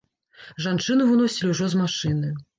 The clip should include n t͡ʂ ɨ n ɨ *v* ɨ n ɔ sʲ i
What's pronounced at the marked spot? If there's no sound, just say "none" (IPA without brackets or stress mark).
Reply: v